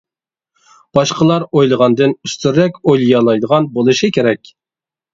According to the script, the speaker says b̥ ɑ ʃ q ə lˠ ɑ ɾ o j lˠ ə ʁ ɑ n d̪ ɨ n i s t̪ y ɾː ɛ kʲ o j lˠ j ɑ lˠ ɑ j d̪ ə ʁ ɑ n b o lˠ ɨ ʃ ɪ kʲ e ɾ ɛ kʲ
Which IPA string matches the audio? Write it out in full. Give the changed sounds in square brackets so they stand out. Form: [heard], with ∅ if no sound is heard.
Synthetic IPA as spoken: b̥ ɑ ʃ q ə lˠ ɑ ɾ o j lˠ ə ʁ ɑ n d̪ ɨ n [y] s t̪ y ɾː ɛ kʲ o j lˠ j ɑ lˠ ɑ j d̪ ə ʁ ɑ n b o lˠ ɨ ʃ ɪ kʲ e ɾ ɛ kʲ